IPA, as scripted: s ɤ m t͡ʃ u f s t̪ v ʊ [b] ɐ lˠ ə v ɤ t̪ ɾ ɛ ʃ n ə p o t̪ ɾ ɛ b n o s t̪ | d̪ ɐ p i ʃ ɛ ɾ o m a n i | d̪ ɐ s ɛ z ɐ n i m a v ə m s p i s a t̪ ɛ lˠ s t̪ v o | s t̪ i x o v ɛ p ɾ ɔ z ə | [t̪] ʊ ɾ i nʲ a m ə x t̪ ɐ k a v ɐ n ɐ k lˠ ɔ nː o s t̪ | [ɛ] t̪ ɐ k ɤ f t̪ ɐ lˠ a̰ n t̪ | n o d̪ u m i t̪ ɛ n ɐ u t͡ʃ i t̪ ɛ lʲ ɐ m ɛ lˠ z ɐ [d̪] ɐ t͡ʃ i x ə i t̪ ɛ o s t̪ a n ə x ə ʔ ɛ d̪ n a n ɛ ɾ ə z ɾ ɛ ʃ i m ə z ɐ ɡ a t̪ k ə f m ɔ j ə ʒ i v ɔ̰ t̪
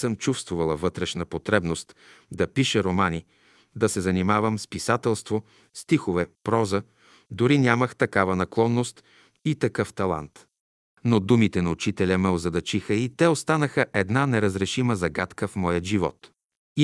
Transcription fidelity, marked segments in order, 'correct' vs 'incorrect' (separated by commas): incorrect, incorrect, incorrect, correct